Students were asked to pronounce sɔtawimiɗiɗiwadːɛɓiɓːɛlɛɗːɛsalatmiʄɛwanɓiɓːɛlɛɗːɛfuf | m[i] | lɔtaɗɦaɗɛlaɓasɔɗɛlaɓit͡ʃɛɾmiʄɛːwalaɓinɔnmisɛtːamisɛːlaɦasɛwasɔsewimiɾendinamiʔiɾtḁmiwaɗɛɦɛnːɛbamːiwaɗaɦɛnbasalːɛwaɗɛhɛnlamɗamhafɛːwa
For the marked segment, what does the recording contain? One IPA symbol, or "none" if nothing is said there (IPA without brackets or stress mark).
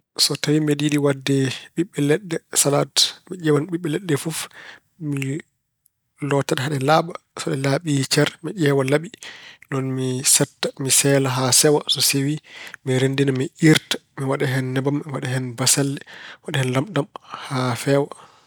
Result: i